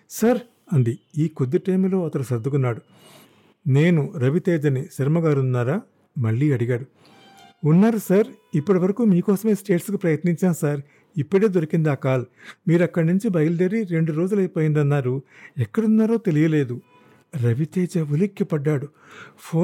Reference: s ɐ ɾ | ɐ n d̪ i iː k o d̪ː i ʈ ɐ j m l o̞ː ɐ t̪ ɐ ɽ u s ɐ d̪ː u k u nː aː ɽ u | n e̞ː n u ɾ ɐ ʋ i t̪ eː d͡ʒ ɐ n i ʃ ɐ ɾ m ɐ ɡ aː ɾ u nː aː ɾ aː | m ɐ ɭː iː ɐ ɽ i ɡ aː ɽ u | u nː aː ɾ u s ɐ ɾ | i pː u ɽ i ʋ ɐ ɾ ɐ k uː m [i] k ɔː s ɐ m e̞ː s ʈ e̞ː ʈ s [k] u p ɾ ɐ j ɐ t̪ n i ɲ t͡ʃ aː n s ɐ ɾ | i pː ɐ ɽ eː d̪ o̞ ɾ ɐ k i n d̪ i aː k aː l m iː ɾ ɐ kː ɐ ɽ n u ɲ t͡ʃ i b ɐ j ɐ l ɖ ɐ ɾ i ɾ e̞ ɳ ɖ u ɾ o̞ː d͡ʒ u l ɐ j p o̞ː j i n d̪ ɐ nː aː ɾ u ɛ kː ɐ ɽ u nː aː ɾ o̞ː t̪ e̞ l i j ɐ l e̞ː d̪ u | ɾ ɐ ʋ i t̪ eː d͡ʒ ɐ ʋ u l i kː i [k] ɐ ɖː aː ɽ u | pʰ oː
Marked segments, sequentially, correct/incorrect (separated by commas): incorrect, correct, incorrect